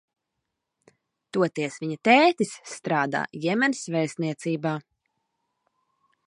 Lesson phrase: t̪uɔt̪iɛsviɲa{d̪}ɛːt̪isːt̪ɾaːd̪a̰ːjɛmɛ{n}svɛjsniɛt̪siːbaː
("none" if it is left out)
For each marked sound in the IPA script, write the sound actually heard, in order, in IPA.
t̪, n

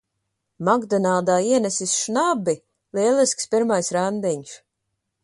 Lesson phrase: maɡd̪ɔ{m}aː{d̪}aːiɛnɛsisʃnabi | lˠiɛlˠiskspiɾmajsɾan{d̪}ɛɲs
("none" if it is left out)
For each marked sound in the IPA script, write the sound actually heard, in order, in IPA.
n, d̪, d̪

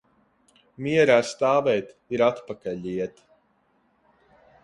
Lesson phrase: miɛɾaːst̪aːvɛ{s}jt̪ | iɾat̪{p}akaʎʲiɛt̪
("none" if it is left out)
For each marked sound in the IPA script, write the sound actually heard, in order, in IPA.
none, p

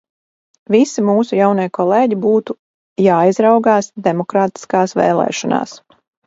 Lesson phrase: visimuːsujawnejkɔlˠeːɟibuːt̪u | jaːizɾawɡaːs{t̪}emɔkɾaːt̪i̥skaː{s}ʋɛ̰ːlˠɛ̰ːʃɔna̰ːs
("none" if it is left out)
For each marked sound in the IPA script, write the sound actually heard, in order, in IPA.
d̪, s

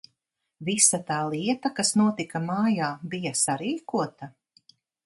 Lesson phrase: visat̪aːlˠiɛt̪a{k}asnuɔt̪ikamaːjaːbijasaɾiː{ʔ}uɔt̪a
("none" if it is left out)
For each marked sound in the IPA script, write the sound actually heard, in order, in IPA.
k, k

